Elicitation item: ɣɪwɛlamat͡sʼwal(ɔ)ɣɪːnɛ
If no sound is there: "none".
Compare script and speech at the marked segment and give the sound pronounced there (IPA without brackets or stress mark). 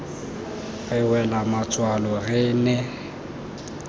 ɔ